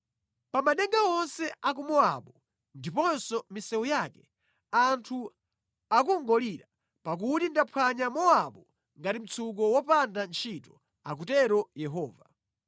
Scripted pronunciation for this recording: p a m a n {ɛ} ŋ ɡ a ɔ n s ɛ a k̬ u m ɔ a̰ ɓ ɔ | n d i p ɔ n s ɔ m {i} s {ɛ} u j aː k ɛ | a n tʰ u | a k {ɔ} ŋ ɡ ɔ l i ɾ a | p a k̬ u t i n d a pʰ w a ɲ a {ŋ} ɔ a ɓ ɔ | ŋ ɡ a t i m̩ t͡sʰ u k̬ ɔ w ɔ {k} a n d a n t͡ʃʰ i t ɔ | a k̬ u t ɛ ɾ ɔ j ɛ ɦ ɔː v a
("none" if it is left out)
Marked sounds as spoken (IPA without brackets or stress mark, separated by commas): ɛ, i, ɛ, u, m, p